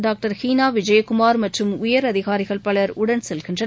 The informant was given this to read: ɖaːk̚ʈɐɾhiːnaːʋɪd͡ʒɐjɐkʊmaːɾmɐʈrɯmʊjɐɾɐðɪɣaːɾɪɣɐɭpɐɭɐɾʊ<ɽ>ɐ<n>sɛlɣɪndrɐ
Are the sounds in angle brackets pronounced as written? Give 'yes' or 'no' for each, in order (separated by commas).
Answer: yes, yes